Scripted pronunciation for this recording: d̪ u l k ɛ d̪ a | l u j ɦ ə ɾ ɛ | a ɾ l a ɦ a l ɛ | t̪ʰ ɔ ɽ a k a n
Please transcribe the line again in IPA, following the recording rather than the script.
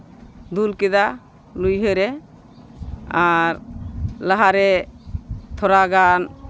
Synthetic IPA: d̪ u l k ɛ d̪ a | l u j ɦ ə ɾ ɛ | a ɾ l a ɦ a ɾ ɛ | t̪ʰ ɔ ɾ a ɡ a n